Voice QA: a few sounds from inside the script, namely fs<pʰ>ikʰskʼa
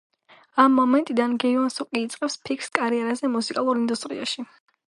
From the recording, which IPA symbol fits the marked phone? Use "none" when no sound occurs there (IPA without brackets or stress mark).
pʰ